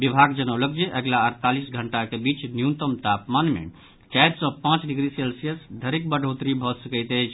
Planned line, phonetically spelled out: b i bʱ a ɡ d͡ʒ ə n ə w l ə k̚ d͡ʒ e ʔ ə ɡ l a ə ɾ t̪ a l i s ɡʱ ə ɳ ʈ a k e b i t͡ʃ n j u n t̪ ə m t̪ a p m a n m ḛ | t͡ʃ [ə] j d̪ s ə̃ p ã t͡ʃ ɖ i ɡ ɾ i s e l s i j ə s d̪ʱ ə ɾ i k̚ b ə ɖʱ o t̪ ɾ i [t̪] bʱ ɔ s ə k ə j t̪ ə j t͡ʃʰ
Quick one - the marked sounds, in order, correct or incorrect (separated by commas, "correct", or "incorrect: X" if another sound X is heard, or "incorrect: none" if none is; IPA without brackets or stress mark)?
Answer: incorrect: a, incorrect: none